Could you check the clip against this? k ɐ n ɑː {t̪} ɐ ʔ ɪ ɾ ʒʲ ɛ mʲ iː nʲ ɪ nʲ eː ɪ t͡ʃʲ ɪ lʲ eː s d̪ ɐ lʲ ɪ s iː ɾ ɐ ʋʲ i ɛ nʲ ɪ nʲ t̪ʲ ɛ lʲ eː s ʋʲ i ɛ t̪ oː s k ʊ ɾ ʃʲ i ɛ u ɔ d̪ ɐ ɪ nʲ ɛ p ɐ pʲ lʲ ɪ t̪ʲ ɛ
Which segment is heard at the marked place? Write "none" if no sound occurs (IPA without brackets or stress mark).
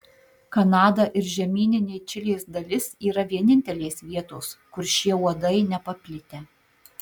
d̪